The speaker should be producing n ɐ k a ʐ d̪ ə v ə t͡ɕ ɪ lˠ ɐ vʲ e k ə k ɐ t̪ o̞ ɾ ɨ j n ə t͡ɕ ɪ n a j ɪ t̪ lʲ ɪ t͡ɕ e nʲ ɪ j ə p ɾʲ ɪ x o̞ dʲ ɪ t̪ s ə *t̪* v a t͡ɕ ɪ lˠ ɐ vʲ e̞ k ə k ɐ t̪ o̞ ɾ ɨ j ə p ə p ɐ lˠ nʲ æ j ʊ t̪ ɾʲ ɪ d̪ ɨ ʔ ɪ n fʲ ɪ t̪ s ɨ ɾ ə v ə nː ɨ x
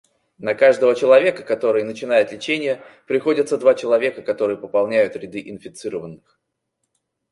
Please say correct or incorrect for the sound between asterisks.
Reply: incorrect: d̪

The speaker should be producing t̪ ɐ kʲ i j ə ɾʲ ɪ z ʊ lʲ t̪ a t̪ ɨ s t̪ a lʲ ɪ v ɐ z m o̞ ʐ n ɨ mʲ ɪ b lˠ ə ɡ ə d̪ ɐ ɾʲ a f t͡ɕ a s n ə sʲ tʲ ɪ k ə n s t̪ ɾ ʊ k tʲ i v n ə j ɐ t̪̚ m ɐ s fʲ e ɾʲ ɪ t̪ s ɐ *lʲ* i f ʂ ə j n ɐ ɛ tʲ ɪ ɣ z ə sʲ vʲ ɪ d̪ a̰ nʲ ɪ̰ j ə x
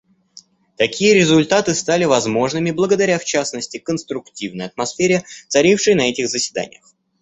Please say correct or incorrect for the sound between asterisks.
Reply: incorrect: ɾʲ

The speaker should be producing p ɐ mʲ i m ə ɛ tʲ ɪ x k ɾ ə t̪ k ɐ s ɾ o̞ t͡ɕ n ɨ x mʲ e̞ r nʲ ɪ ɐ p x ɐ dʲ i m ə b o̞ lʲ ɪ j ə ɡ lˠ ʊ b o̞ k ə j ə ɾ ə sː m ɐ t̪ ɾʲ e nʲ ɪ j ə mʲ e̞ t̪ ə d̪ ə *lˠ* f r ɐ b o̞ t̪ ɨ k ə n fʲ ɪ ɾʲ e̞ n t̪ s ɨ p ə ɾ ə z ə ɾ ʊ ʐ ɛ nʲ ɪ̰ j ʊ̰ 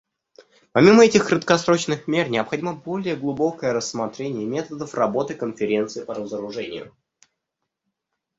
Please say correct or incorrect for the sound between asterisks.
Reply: incorrect: none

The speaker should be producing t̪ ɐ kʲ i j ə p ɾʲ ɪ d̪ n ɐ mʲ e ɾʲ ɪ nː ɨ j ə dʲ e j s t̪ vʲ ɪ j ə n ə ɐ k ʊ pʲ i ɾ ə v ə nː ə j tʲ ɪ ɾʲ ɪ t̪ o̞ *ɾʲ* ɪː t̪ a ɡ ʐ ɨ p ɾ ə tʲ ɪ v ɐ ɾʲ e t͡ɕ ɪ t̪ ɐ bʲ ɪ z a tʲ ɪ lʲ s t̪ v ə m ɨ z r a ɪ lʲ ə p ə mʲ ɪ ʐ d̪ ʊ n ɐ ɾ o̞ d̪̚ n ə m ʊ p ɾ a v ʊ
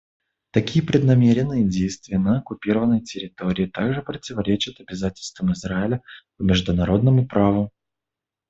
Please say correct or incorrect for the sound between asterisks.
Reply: correct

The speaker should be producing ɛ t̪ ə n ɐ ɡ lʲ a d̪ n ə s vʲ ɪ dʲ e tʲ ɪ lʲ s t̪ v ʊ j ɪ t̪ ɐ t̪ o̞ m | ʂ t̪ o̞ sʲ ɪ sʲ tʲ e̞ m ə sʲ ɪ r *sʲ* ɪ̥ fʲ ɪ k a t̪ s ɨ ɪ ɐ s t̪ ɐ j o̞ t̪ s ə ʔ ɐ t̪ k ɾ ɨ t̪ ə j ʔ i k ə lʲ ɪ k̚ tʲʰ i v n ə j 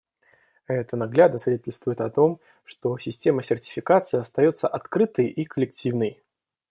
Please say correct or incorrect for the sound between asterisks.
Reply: incorrect: tʲ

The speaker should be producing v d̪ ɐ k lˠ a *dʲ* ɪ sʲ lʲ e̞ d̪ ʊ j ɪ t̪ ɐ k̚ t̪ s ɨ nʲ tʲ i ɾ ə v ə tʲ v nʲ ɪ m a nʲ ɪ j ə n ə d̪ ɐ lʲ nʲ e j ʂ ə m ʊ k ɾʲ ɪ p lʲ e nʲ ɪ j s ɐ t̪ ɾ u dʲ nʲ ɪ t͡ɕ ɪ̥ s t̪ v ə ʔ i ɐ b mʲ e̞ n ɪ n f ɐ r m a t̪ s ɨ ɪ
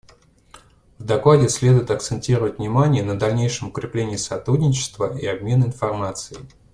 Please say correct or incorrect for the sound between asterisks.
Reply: correct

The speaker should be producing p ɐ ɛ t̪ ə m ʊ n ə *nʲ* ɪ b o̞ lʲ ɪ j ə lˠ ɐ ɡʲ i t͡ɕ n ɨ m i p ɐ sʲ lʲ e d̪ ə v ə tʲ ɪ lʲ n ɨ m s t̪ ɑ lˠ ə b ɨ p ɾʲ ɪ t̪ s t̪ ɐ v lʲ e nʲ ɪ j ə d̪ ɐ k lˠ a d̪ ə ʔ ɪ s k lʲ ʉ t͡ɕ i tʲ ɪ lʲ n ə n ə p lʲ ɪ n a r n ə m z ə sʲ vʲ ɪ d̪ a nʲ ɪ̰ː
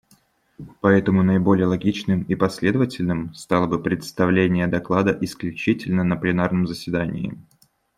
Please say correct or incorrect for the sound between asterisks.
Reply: incorrect: none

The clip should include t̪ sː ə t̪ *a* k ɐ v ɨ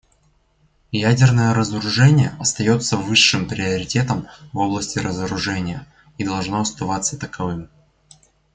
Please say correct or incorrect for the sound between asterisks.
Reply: incorrect: ə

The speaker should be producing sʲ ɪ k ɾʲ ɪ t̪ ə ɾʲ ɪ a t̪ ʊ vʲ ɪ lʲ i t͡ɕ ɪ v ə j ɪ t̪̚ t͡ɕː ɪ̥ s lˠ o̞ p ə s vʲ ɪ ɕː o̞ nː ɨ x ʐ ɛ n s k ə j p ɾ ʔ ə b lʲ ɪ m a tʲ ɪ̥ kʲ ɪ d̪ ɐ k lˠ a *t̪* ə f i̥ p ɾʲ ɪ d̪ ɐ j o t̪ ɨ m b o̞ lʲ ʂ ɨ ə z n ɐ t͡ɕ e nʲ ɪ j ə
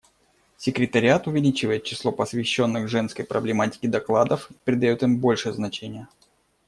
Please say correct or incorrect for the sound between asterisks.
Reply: incorrect: d̪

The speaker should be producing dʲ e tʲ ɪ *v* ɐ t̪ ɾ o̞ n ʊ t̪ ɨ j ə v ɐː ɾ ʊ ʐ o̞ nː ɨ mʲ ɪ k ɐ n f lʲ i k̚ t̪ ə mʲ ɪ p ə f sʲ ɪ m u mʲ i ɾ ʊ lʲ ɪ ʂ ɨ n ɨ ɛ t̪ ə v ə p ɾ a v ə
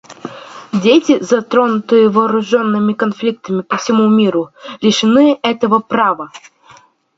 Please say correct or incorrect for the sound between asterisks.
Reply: incorrect: z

